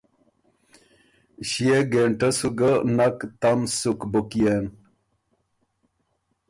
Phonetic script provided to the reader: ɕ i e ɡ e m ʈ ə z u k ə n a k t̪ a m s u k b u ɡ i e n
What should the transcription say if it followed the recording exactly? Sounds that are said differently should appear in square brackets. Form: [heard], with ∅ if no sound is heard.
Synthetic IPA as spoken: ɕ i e ɡ e [ɳ] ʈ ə [s] u [ɡ] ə n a k t̪ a m s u k b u [k] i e n

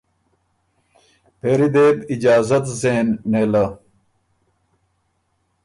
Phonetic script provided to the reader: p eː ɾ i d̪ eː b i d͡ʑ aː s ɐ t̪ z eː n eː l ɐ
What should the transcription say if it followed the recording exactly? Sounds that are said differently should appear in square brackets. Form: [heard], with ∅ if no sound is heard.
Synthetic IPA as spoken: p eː ɾ i d̪ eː b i d͡ʑ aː [z] ɐ t̪ z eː [nː] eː l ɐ

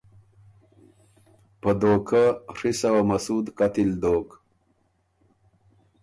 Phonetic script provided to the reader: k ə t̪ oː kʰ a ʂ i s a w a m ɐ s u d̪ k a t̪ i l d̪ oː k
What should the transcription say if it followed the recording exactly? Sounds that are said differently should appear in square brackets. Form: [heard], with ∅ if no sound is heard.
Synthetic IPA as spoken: [p] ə [d̪] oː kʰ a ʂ i s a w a m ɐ s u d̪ k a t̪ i l d̪ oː k

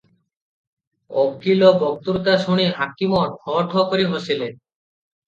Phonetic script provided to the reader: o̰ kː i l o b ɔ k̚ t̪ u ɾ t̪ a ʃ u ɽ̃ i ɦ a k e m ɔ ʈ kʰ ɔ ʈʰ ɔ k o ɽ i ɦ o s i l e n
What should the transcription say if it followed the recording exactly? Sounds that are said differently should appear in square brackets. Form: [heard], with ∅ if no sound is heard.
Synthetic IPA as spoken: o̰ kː i l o b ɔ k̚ t̪ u ɾ t̪ a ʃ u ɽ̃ i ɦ a k [i] m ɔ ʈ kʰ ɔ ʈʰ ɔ k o [ɾ] i ɦ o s i l e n

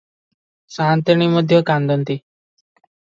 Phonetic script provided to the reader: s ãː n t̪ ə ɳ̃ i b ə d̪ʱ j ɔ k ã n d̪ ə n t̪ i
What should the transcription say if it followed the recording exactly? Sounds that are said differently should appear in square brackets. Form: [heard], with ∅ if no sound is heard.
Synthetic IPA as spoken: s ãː n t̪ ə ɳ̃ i [m] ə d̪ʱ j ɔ k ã n d̪ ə n t̪ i

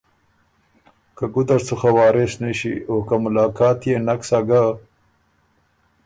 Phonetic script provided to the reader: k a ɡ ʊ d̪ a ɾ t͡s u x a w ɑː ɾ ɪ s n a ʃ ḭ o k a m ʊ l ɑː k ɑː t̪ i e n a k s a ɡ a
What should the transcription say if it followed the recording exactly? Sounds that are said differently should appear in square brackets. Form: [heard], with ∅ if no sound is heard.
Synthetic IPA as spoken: k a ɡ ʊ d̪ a ɾ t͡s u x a w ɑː ɾ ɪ s n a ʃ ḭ o k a m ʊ l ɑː k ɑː t̪ [j] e n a k s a ɡ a

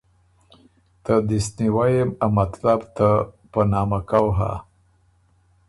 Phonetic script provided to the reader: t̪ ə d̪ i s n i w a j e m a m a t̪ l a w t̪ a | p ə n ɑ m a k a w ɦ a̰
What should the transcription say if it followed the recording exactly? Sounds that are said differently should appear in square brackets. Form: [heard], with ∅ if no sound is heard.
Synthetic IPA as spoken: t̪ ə d̪ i s n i w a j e m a m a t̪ l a [b] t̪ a | p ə n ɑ m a k a w ɦ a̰

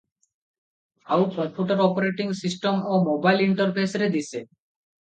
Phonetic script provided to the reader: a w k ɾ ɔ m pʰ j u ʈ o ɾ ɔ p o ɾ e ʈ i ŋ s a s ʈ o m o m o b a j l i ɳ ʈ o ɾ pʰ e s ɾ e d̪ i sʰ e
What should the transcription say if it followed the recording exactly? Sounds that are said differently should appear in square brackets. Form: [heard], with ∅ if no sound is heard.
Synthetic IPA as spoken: a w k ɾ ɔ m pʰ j u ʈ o ɾ ɔ p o ɾ e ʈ i ŋ s [i] s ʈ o m o m o b a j l i ɳ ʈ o ɾ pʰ e s ɾ e d̪ i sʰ e

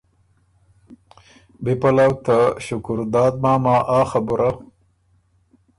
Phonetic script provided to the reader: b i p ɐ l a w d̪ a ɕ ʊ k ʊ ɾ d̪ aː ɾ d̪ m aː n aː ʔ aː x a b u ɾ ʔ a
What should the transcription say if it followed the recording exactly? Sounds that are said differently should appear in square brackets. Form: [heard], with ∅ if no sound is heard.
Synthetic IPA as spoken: b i p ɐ l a w [t̪] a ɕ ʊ k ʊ ɾ d̪ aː [∅] d̪ m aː [m] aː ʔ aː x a b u ɾ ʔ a

